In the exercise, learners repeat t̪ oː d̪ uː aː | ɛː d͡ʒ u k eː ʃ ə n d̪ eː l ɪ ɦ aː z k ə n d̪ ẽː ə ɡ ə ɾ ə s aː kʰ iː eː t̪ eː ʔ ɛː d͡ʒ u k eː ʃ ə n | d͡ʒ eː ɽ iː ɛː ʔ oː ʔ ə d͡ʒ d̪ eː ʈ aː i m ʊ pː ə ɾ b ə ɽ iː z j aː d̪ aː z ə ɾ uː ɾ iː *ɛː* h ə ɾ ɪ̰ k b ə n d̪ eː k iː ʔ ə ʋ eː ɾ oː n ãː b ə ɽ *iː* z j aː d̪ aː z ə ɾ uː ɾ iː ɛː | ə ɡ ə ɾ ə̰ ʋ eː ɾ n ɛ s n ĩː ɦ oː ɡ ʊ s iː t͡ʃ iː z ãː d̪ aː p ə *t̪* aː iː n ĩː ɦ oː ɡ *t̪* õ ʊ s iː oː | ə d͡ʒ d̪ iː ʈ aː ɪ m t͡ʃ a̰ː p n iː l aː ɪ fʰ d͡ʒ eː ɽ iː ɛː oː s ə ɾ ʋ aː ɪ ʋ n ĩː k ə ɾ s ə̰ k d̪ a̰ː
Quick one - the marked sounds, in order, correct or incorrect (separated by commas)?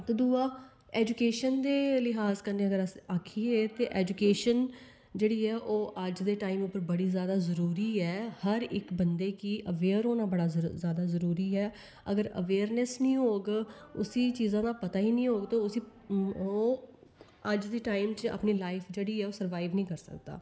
correct, incorrect, correct, correct